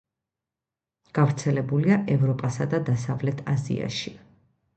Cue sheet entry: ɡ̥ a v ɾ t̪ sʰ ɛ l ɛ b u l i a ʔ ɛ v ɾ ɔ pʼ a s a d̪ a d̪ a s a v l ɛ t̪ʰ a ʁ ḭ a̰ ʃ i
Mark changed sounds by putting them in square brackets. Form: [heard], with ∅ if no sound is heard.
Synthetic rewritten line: ɡ̥ a v ɾ t̪ sʰ ɛ l ɛ b u l i a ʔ ɛ v ɾ ɔ pʼ a s a d̪ a d̪ a s a v l ɛ t̪ʰ a [z] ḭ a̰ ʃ i